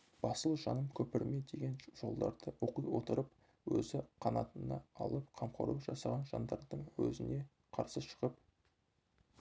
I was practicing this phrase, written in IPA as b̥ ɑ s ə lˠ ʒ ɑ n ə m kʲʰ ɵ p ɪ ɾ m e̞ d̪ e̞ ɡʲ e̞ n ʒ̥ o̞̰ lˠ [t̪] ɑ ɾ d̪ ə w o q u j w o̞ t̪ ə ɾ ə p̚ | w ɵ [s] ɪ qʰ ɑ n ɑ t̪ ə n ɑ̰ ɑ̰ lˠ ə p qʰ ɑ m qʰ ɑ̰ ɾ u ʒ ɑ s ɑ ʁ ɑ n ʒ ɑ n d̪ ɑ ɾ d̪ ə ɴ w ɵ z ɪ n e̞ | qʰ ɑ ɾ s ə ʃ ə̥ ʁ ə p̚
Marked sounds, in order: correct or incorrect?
incorrect: d̪, incorrect: z

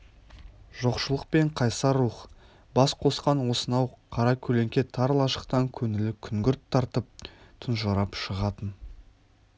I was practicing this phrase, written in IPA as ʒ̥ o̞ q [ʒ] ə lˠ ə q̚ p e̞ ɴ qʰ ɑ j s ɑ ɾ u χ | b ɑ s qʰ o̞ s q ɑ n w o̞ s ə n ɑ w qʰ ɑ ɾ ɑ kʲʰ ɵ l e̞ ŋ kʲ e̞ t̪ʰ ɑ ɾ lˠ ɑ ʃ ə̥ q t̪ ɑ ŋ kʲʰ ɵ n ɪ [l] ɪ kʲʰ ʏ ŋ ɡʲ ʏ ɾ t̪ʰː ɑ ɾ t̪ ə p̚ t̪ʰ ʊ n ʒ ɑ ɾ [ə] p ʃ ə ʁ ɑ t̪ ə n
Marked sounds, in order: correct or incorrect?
incorrect: ʃ, correct, incorrect: ɑ

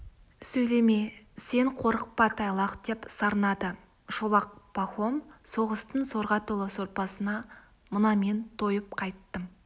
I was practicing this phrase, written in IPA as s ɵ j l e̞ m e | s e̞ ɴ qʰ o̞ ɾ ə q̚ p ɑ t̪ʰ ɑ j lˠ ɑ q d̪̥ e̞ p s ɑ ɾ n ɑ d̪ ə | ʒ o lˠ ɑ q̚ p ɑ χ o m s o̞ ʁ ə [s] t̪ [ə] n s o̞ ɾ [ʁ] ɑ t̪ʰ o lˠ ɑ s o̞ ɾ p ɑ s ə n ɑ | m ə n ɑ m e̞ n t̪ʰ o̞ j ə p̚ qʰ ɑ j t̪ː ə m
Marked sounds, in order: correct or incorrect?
correct, correct, correct

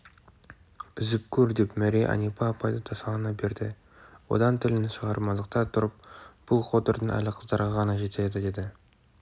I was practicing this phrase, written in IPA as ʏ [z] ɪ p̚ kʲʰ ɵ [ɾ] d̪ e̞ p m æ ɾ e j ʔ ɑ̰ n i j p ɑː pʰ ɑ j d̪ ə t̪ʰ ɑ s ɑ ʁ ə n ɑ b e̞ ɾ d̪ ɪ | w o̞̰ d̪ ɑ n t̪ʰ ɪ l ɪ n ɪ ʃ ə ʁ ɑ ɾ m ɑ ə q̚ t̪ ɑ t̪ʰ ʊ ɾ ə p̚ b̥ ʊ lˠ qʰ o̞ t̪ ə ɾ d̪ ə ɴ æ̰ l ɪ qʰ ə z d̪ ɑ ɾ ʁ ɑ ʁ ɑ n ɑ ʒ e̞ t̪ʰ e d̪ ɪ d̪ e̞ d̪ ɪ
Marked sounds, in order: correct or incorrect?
correct, correct

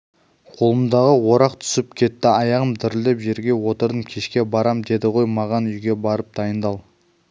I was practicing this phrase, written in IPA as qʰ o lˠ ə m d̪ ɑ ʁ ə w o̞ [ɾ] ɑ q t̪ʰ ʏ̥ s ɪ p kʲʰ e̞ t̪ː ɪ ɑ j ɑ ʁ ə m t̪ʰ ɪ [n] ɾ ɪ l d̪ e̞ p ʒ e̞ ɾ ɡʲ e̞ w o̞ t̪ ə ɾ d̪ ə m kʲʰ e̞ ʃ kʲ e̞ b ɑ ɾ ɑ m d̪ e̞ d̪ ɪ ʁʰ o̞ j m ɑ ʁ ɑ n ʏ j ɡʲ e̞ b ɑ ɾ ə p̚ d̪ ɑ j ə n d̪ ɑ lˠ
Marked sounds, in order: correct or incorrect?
correct, incorrect: none

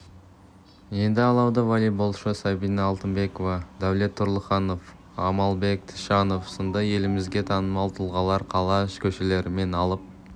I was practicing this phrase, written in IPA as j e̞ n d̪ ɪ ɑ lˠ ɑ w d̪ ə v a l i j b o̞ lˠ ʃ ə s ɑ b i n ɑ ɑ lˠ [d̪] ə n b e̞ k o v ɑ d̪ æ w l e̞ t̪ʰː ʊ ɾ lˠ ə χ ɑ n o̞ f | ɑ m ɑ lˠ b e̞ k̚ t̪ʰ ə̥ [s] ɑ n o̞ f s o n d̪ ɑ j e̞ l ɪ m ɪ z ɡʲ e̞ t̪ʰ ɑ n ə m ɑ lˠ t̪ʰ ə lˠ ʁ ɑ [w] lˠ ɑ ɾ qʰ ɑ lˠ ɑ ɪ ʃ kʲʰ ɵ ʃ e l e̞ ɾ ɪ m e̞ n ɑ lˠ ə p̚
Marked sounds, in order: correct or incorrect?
incorrect: t̪, incorrect: ʃ, incorrect: none

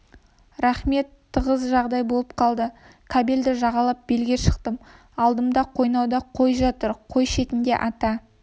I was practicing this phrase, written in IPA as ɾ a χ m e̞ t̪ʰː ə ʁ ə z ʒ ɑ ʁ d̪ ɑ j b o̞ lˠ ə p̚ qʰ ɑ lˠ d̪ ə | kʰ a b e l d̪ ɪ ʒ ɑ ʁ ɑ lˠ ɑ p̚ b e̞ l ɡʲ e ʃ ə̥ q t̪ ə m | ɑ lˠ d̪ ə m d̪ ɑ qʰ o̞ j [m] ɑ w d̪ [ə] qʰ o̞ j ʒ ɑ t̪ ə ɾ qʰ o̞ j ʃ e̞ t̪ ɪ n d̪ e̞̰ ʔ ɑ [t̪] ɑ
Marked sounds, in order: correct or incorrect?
incorrect: n, incorrect: ɑ, correct

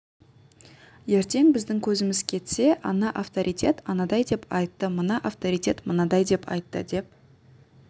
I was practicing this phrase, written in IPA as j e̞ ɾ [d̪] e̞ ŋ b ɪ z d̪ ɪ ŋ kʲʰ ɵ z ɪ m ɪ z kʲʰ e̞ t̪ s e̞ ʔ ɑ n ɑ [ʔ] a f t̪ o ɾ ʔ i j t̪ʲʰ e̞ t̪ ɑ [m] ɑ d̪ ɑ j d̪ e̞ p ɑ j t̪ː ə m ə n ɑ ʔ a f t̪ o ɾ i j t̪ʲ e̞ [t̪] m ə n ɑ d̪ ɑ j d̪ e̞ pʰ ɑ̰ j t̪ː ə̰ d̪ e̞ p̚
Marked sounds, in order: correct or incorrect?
incorrect: t̪, correct, incorrect: n, correct

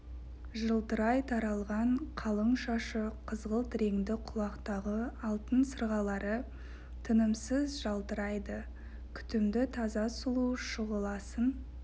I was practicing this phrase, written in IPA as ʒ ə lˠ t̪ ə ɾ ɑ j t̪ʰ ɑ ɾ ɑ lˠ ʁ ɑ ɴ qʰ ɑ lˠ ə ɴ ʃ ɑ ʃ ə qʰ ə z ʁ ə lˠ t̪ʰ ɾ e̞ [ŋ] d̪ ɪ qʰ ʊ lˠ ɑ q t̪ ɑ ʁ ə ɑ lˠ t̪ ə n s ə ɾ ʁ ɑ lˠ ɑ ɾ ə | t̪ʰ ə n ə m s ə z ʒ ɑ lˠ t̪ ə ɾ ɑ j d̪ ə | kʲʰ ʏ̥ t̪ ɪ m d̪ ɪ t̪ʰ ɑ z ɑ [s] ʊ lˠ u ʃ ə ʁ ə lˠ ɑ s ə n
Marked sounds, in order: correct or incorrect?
correct, correct

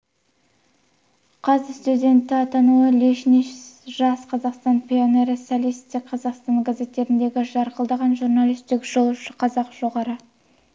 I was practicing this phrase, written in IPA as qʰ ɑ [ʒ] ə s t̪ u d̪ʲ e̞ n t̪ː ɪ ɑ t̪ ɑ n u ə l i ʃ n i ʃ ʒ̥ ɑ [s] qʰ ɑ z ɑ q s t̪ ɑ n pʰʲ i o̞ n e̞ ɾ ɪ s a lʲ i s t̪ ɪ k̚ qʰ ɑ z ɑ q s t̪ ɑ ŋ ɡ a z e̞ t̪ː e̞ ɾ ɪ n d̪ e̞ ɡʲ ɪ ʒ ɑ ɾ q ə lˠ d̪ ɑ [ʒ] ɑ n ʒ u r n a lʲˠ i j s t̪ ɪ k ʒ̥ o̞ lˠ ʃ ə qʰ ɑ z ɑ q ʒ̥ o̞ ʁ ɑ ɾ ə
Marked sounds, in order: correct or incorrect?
incorrect: z, correct, incorrect: ʁ

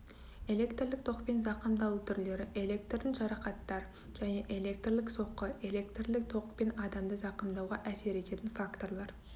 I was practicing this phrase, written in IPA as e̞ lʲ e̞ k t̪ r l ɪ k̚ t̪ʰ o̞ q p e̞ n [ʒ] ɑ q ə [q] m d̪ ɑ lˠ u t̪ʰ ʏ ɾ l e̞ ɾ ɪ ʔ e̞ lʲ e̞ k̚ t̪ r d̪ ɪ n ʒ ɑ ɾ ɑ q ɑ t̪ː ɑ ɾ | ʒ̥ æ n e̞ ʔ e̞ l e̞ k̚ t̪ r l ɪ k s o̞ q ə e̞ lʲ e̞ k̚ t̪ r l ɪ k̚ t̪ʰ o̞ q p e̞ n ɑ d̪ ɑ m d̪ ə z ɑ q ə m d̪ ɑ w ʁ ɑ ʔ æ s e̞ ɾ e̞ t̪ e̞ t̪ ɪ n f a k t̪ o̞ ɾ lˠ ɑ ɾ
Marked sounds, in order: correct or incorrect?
incorrect: z, incorrect: none

